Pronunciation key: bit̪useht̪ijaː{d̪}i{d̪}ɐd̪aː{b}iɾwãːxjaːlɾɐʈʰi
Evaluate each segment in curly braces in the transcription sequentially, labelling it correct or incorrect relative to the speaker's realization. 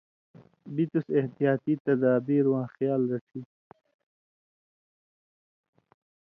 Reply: incorrect: t̪, incorrect: t̪, correct

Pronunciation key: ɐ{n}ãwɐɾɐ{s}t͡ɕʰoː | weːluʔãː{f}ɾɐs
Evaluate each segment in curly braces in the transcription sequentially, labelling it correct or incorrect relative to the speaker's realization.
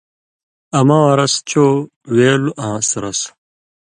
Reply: incorrect: m, correct, incorrect: s

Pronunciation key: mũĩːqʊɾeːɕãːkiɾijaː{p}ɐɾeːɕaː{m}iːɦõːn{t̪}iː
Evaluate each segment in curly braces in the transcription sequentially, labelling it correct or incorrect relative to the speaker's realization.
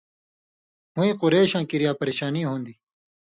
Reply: correct, incorrect: n, incorrect: d̪

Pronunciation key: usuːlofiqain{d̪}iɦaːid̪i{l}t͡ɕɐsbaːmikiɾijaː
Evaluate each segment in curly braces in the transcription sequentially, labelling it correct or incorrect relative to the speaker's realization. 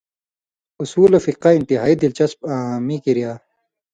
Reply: incorrect: t̪, correct

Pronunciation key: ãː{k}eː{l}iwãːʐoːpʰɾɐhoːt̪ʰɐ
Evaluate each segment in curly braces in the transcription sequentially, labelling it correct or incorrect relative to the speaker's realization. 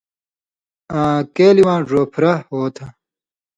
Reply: correct, correct

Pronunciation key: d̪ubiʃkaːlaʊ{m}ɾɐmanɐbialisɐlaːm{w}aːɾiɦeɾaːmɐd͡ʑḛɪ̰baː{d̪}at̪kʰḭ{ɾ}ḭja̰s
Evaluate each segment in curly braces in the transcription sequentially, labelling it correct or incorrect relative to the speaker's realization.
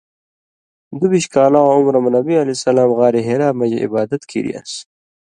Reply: correct, incorrect: ɣ, correct, correct

